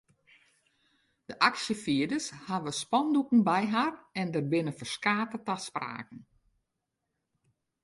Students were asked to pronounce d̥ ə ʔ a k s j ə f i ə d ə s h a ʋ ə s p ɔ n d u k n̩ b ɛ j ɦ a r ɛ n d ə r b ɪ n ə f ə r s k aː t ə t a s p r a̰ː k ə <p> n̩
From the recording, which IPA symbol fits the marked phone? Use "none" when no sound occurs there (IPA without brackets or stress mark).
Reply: none